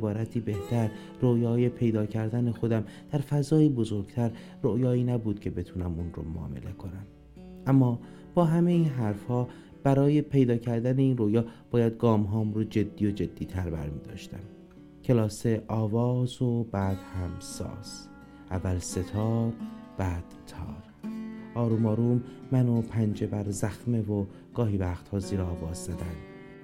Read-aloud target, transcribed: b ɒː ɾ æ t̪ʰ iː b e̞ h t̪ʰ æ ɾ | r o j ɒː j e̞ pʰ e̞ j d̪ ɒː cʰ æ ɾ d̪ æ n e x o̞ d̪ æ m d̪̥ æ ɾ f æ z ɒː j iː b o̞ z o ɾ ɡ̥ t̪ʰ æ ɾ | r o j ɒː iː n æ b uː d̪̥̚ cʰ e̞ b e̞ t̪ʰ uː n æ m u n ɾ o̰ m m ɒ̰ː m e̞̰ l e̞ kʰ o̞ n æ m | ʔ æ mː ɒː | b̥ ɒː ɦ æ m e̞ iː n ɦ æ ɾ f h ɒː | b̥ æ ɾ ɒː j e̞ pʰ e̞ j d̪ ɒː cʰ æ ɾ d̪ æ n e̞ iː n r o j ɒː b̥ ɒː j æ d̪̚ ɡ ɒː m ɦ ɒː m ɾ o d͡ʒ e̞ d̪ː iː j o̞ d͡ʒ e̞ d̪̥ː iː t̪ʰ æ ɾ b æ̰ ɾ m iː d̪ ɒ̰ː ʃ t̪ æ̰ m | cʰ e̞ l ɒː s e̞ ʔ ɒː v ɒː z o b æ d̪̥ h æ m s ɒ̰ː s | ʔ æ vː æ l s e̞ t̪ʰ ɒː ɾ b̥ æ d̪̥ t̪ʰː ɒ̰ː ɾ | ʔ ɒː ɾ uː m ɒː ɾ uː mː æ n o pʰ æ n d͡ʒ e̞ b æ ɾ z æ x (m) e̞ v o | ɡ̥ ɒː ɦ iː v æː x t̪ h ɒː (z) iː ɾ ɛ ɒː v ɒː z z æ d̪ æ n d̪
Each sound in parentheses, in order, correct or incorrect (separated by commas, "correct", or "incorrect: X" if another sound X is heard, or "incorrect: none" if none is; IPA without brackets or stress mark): correct, correct